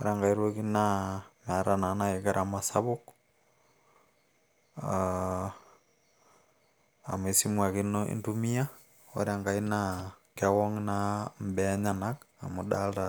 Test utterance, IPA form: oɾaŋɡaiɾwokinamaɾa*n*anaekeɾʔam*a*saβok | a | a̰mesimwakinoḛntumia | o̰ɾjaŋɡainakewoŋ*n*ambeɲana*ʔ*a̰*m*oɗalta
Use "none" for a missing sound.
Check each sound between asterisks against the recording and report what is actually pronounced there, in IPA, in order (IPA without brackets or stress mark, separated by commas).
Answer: n, a, n, k, m